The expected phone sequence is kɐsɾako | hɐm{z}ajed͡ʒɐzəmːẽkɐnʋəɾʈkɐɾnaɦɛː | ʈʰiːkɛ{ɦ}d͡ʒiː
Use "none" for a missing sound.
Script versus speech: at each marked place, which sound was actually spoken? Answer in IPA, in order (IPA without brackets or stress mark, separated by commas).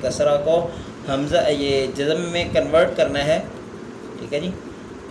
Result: z, none